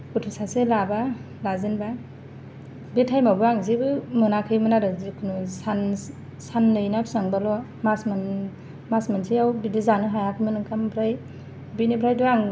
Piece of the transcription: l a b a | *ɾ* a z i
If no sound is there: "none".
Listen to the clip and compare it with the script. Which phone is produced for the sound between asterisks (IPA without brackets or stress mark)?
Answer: l